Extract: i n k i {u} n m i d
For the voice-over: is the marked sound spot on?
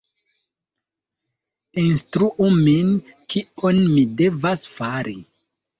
no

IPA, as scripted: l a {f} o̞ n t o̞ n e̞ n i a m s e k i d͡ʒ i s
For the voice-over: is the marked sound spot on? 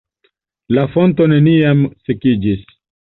yes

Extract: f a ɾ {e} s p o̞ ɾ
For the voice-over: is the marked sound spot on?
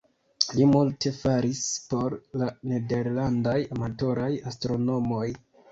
no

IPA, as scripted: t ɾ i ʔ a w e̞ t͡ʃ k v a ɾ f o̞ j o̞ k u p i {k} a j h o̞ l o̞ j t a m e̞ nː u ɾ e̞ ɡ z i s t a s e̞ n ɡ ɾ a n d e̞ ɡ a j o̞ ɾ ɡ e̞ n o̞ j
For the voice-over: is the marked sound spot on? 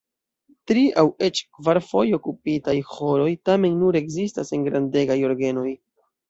no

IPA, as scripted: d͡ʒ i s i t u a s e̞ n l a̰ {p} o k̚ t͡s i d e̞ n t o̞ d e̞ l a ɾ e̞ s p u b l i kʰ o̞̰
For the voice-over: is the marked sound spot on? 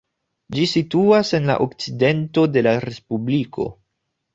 no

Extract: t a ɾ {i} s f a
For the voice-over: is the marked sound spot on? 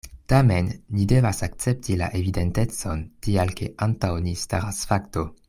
no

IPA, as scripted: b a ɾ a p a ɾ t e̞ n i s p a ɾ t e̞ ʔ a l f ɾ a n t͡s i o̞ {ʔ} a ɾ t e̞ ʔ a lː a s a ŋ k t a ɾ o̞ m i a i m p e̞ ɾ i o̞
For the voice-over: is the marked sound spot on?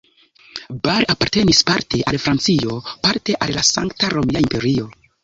no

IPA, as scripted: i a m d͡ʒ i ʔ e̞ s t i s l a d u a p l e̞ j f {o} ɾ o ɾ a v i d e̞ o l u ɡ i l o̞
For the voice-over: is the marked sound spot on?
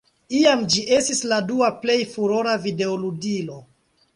no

